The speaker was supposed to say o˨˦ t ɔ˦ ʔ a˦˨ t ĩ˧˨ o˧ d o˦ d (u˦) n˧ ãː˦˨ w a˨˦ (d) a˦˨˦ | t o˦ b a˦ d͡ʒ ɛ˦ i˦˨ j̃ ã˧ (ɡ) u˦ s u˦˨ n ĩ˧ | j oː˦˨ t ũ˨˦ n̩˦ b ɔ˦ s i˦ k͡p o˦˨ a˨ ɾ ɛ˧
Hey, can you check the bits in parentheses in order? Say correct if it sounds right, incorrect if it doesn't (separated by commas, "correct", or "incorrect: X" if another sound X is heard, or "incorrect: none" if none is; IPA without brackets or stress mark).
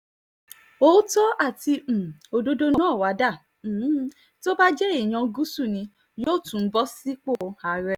incorrect: o˦, correct, correct